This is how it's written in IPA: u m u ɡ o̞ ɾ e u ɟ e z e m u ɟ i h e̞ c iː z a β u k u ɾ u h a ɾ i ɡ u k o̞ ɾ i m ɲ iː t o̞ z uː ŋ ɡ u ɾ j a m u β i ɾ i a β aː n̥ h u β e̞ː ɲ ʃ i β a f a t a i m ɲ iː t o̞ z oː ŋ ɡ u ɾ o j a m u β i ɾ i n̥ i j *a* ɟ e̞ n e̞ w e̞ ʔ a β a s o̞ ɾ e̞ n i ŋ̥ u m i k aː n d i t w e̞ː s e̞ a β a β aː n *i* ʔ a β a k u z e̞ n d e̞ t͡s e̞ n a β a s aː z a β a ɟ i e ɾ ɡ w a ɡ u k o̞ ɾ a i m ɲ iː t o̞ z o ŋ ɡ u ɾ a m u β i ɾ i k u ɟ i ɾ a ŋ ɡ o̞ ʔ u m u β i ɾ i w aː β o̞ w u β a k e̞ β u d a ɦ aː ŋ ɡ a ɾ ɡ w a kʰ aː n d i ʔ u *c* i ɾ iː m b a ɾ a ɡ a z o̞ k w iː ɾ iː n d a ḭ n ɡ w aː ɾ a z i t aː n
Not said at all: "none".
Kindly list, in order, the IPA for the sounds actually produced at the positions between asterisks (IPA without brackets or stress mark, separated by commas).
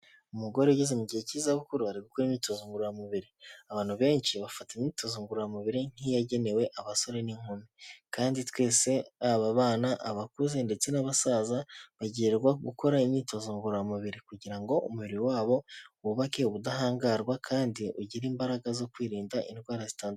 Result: a, a, ɟ